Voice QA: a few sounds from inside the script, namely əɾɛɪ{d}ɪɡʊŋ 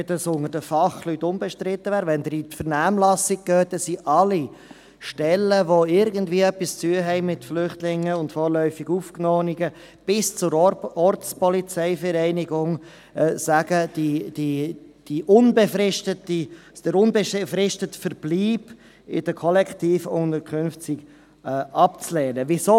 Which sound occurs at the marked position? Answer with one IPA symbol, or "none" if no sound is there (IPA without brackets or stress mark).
n